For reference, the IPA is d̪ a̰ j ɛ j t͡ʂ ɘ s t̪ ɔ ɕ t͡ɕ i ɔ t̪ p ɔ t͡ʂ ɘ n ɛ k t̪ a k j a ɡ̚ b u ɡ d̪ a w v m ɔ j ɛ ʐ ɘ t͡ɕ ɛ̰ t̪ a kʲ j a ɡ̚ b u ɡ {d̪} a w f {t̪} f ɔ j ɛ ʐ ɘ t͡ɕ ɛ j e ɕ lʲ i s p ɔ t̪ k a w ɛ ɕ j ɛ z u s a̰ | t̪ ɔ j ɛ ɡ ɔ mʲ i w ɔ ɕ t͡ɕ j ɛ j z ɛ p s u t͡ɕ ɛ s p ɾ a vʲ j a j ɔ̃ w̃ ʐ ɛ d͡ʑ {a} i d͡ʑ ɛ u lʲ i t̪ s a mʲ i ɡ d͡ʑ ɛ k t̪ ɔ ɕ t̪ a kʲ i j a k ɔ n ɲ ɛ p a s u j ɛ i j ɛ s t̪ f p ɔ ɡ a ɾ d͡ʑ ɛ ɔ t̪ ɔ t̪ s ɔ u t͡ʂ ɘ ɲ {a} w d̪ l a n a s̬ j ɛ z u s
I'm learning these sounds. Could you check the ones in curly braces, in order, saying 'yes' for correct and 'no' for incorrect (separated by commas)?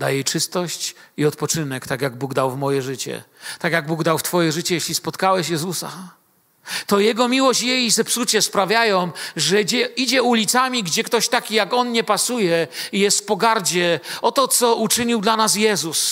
yes, yes, no, no